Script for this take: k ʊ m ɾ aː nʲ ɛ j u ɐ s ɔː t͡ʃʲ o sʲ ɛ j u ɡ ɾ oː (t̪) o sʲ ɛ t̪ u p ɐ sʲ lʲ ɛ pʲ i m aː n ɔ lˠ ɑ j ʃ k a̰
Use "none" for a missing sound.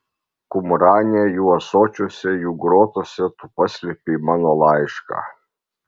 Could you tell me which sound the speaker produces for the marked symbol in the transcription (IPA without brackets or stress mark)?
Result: t̪